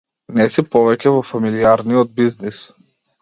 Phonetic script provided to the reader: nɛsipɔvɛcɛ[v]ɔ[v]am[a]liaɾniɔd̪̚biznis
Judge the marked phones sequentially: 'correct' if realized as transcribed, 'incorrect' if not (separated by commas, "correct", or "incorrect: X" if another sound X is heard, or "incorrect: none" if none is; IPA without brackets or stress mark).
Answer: correct, incorrect: f, incorrect: i